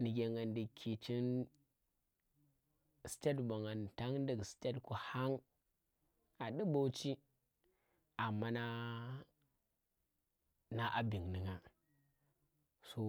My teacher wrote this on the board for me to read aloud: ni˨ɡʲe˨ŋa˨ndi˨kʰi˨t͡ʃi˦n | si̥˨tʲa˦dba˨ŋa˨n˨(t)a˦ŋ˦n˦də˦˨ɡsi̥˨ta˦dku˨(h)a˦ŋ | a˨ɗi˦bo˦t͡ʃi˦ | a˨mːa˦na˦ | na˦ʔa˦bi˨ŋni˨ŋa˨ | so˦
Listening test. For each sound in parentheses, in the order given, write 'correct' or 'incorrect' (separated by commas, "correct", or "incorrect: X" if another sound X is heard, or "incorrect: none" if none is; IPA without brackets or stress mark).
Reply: correct, correct